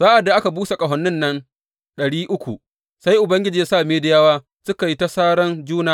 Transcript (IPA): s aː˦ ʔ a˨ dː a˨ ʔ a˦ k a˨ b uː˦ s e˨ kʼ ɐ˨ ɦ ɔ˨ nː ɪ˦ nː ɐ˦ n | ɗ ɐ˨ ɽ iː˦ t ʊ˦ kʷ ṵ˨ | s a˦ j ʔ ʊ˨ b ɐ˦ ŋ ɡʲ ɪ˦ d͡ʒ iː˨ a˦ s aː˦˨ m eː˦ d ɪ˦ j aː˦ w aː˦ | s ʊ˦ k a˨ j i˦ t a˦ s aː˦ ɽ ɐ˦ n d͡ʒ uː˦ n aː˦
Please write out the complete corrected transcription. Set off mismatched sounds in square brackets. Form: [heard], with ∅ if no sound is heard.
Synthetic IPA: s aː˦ ʔ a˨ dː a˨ ʔ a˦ k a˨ b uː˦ s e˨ kʼ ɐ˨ ɦ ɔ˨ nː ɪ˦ nː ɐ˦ n | ɗ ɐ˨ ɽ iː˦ [ʔ] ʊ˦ kʷ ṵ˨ | s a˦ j ʔ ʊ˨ b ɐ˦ ŋ ɡʲ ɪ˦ d͡ʒ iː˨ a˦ s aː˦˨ m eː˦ d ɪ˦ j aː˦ w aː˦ | s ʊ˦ k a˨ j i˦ t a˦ s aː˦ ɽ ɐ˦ n d͡ʒ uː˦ n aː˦